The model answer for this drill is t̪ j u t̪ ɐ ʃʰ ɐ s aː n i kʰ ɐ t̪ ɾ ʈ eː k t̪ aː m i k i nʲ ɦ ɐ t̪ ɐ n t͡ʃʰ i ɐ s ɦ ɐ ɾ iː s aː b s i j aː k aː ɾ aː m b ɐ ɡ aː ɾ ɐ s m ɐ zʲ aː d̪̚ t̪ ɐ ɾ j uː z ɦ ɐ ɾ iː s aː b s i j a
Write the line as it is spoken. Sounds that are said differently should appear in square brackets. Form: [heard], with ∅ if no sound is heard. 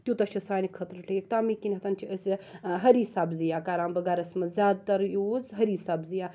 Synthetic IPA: t̪ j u t̪ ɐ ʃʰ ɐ s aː n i kʰ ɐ t̪ ɾ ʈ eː k t̪ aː m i k i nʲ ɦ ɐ t̪ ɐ n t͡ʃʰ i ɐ s ɦ ɐ ɾ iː s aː b [z] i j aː k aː ɾ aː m b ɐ ɡ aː ɾ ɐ s m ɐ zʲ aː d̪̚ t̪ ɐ ɾ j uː z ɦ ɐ ɾ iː s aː b [z] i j a